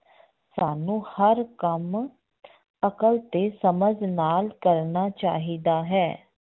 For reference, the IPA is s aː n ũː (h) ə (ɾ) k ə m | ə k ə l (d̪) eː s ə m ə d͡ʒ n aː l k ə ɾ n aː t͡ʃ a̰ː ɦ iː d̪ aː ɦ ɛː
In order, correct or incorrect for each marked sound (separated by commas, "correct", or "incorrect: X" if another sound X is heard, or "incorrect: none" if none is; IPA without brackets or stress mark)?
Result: correct, correct, incorrect: t̪